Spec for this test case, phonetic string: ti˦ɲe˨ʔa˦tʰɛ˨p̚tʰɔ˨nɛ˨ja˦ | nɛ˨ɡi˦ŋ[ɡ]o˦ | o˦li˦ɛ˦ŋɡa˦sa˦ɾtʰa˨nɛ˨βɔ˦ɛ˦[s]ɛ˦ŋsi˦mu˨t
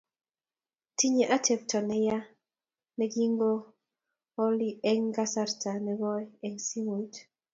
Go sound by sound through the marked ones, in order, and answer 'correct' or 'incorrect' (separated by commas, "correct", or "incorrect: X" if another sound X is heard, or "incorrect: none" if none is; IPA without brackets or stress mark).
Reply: correct, incorrect: none